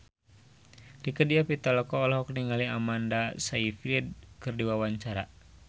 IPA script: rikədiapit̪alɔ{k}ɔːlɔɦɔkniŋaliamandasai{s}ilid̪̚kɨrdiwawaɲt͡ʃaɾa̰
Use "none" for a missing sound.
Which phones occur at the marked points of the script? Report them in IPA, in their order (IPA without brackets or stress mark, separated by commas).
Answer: k, f